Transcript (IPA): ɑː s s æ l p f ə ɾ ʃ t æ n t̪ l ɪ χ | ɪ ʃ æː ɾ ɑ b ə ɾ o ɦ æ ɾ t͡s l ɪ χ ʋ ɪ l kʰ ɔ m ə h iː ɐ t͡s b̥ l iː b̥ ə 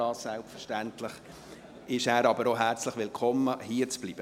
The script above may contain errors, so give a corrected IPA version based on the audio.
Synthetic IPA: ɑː s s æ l p f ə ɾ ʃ t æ n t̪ l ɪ χ | ɪ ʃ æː ɾ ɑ b ə ɾ o ɦ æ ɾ t͡s l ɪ χ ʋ ɪ l kʰ ɔ m ə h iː ə t͡s b̥ l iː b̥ ə